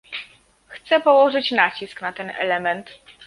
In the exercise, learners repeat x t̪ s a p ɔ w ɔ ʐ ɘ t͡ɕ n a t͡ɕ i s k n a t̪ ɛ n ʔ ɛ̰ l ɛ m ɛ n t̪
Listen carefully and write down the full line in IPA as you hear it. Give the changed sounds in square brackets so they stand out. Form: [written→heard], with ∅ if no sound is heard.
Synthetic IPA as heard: x t̪ s [a→ɛ] p ɔ w ɔ ʐ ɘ t͡ɕ n a t͡ɕ i s k n a t̪ ɛ n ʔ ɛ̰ l ɛ m ɛ n t̪